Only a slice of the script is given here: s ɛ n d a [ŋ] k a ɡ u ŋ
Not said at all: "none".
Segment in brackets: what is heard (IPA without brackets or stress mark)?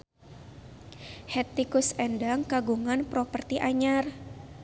ŋ